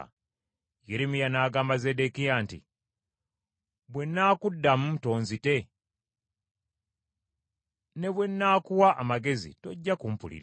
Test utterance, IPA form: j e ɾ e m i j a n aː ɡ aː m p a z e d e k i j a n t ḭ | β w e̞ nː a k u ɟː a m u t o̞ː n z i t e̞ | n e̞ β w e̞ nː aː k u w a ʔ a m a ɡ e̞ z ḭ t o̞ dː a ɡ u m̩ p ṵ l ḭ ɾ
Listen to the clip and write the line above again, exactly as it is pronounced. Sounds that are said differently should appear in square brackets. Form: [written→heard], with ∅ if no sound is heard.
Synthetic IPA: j e ɾ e m i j a n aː ɡ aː m [p→b] a z e d e k i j a n t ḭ | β w e̞ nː a k u [ɟː→dː] a m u t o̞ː n z i t e̞ | n e̞ β w e̞ nː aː k u w a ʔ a m a ɡ e̞ z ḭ t o̞ [dː→ɟː] a [ɡ→k] u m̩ p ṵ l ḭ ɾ